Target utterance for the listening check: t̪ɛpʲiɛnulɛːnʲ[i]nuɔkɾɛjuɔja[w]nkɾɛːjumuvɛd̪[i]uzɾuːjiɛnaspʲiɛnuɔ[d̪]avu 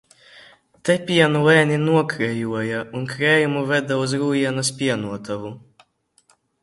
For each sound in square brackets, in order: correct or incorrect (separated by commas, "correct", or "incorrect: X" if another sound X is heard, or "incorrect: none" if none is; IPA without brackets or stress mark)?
correct, incorrect: u, incorrect: a, incorrect: t̪